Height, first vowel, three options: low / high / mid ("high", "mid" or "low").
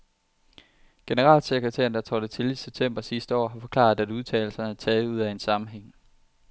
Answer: mid